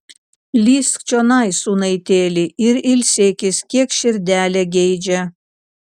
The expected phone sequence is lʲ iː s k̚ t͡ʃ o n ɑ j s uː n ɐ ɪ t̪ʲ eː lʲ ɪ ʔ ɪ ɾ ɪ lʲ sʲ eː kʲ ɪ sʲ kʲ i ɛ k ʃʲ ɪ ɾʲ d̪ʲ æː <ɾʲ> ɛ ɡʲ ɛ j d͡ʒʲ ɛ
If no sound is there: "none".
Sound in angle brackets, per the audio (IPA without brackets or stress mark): lʲ